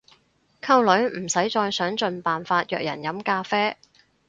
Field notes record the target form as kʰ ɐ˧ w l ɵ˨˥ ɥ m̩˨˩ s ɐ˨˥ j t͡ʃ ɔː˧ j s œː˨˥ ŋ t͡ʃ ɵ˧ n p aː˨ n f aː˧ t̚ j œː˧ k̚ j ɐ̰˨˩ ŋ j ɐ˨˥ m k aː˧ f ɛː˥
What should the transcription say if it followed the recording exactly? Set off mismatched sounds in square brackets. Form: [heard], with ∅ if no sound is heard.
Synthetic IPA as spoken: kʰ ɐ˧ w l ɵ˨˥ ɥ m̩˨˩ s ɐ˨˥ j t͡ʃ ɔː˧ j s œː˨˥ ŋ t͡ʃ ɵ˧ n p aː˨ n f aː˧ t̚ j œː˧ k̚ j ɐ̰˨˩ [n] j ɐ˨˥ m k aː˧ f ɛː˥